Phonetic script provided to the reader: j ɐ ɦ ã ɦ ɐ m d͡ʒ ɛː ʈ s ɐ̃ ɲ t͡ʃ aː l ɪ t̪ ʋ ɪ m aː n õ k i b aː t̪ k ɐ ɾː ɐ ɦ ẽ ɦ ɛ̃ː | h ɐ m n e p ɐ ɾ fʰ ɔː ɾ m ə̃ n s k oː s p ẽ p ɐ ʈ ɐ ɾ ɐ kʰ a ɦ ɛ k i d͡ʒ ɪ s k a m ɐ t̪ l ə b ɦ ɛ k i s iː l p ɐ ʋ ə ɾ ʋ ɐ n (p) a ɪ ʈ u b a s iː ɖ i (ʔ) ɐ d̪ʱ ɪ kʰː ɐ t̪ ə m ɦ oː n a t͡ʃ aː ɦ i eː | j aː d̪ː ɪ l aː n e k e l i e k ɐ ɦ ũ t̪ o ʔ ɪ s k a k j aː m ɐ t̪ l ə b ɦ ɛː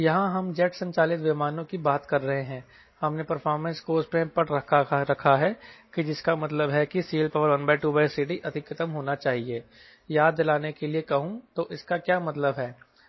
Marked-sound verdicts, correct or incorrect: incorrect: b, correct

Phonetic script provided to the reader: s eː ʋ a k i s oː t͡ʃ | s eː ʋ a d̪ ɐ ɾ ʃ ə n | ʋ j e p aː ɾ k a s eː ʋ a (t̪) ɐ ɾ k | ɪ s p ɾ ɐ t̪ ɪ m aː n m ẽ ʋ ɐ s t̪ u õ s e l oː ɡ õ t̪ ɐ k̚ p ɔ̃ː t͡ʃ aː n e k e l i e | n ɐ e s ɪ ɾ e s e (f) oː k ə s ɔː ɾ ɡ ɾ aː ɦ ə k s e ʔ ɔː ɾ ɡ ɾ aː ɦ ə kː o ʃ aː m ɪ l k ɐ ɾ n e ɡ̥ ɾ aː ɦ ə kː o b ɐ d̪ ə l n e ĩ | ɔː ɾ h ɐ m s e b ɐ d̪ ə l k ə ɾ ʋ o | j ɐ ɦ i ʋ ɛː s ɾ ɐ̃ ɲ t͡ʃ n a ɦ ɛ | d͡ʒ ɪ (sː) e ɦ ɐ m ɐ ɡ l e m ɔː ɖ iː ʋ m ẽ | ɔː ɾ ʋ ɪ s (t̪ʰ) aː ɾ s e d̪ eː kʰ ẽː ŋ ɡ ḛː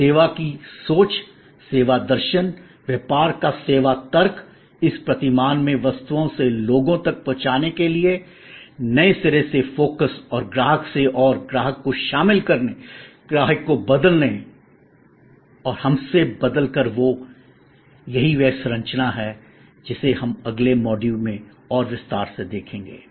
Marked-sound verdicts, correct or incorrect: correct, correct, incorrect: s, incorrect: t̪

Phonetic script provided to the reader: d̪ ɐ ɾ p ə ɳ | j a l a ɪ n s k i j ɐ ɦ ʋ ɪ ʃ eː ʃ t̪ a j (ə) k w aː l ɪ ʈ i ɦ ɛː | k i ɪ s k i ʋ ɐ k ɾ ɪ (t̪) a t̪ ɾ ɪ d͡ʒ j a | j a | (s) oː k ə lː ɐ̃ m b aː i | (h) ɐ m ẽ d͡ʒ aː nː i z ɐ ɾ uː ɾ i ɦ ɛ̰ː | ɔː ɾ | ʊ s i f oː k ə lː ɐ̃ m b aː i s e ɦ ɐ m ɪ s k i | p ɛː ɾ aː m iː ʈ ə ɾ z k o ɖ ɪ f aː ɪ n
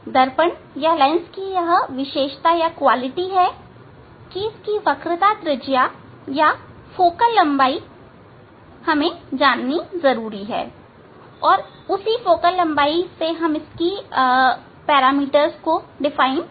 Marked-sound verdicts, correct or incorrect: incorrect: a, correct, incorrect: f, correct

